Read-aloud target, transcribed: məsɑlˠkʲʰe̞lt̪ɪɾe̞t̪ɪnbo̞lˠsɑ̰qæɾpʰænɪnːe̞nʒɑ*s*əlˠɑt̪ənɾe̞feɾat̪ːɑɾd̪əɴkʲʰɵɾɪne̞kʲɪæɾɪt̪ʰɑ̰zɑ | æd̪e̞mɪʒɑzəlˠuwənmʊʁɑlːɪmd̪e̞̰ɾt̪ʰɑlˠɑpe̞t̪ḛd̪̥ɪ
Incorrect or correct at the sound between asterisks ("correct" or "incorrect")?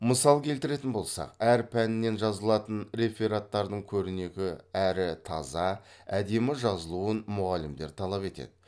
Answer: incorrect